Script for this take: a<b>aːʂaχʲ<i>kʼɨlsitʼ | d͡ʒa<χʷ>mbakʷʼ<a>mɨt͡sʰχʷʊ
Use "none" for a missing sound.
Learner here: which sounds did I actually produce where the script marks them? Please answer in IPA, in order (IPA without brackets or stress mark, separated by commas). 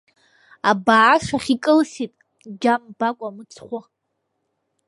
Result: b, i, none, a